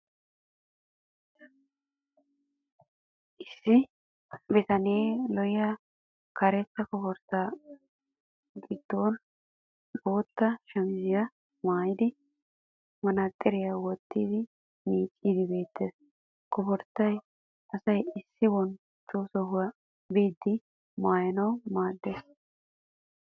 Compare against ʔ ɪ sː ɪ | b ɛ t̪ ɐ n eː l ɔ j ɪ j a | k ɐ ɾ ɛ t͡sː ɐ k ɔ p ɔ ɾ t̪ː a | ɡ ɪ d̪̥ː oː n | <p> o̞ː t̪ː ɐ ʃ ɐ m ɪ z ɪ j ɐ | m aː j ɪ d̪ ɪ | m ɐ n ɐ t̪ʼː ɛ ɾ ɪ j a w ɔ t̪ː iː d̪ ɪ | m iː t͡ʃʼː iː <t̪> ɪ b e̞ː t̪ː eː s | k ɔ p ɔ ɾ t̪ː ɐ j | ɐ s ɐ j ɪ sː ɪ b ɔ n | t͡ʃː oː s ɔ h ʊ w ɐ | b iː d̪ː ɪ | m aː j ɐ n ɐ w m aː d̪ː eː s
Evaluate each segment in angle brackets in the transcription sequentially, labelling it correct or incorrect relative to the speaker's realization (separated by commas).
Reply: incorrect, incorrect